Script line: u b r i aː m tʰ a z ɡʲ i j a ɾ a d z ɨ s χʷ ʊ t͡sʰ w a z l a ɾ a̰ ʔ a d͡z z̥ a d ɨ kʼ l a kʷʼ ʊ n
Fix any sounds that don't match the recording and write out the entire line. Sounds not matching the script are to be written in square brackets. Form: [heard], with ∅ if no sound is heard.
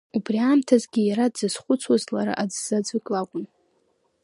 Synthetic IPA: u b r i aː m tʰ a z ɡʲ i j a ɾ a d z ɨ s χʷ ʊ t͡sʰ w a z l a ɾ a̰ ʔ a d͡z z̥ a [d͡z] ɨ kʼ l a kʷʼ ʊ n